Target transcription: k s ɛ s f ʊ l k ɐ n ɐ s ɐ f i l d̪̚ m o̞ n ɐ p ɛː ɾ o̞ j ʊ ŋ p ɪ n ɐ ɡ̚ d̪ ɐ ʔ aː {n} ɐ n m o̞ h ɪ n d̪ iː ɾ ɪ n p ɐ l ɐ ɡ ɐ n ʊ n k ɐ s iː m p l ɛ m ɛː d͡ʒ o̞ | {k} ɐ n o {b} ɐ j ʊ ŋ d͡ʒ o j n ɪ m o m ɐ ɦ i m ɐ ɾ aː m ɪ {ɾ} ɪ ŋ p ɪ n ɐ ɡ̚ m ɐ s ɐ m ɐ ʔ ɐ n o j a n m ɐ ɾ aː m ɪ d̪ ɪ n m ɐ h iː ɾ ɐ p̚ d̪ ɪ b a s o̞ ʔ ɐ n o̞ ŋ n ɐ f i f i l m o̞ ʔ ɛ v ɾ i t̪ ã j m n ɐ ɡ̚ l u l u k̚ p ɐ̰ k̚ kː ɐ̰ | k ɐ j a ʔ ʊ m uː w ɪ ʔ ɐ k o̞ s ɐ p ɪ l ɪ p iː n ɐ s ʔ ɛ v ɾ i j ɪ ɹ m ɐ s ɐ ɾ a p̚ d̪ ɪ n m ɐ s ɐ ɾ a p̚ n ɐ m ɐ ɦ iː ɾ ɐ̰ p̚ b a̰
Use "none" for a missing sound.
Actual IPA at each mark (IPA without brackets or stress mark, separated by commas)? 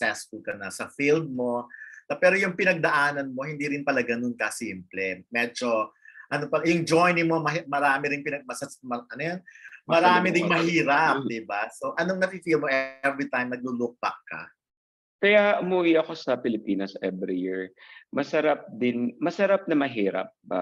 n, ʔ, p, ɾ